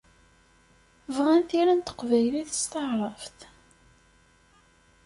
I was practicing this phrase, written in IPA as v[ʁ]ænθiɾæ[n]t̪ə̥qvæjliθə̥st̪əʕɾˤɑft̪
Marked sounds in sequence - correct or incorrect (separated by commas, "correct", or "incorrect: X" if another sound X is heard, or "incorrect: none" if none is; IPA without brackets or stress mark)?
correct, correct